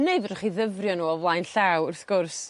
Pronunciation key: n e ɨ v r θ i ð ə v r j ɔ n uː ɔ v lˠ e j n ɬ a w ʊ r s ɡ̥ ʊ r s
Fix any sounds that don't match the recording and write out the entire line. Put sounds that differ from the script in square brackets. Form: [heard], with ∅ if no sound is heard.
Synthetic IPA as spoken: n e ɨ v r [χ] i ð ə v r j ɔ n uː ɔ v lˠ [a] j n ɬ a w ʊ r [θ] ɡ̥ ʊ r s